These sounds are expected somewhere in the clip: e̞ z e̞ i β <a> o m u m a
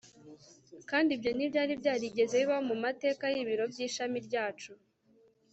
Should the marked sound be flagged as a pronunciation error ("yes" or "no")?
no